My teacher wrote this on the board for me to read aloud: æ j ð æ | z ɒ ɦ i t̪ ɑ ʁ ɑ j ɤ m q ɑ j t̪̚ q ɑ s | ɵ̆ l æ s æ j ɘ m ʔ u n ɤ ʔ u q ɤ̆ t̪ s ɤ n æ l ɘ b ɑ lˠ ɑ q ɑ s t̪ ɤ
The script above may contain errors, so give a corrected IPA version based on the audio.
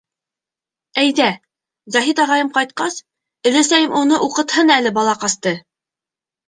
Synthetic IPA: æ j ð æ | z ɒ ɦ i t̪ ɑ ʁ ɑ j ɤ m q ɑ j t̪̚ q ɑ s | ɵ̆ l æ s æ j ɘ m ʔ u n ɤ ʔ u q ɤ̆ t̪ h ɤ n æ l ɘ b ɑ lˠ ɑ q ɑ s t̪ ɤ